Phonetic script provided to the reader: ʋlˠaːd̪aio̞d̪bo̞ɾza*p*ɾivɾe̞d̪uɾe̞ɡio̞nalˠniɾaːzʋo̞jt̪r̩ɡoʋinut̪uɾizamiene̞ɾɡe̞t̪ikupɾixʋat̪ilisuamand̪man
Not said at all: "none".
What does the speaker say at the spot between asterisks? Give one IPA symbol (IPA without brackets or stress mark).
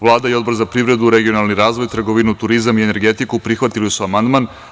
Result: p